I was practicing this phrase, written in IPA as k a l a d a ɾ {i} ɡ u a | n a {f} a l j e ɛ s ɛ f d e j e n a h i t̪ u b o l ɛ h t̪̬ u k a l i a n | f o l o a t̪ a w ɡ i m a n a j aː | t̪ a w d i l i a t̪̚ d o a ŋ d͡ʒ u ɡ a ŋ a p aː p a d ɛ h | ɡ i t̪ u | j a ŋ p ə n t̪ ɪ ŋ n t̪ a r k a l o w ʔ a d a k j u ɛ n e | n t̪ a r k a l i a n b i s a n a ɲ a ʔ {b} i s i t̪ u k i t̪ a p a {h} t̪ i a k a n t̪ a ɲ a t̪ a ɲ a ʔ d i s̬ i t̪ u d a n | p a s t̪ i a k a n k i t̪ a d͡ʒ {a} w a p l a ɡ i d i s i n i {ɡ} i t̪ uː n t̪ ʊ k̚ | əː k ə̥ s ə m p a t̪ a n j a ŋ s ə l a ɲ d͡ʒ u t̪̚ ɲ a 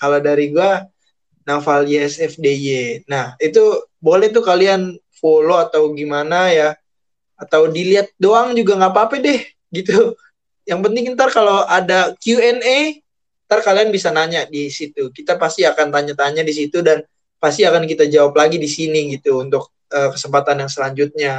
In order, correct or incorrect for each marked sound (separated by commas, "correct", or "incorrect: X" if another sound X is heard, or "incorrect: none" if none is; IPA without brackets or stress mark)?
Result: correct, correct, incorrect: d, incorrect: s, correct, correct